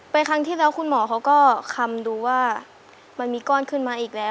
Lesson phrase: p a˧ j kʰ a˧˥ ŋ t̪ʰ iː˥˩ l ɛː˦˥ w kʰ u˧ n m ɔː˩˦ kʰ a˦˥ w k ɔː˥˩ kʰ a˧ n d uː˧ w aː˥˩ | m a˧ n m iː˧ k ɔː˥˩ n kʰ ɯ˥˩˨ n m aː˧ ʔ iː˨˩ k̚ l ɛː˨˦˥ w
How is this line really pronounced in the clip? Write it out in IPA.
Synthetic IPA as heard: p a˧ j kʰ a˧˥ ŋ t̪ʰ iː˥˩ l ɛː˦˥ w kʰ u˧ n m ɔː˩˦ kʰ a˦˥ w k ɔː˥˩ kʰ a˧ m d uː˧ w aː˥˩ | m a˧ n m iː˧ k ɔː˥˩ n kʰ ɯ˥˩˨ n m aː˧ ʔ iː˨˩ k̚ l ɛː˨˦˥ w